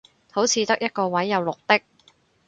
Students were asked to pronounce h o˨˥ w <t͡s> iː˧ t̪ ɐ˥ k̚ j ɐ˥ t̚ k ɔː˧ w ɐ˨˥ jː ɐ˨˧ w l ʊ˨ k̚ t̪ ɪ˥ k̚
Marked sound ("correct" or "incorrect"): incorrect